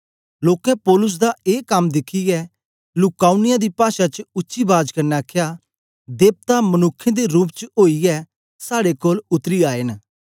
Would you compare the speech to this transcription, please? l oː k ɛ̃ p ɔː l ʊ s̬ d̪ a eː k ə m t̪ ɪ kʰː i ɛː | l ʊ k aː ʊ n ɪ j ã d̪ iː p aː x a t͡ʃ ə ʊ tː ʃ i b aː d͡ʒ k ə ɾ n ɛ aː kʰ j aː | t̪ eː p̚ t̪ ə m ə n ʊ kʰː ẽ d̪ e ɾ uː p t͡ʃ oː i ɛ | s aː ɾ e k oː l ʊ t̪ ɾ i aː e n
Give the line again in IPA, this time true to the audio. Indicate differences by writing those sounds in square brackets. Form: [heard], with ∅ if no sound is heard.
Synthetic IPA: l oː k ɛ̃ p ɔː l ʊ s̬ d̪ a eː k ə m [d̪] ɪ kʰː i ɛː | l ʊ k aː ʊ n ɪ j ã d̪ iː p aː [ʃ] a t͡ʃ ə ʊ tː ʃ i b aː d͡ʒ k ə ɾ n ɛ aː kʰ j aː | [d̪] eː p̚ t̪ [a] m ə n ʊ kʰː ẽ d̪ e ɾ uː p t͡ʃ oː i ɛ | s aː [ɽ] e k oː l ʊ t̪ ɾ i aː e n